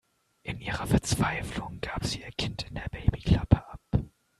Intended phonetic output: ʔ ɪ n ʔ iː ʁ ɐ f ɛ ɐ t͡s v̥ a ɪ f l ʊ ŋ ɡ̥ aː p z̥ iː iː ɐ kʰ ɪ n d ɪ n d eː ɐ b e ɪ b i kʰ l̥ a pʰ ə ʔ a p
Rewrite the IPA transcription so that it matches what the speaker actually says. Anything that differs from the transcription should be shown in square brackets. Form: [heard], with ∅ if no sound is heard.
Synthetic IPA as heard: ʔ ɪ n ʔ iː ʁ ɐ f ɛ ɐ t͡s v̥ a ɪ f l ʊ ŋ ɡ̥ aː p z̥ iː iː ɐ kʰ ɪ n [t] ɪ n d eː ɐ b e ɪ b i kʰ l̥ a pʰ ə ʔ a p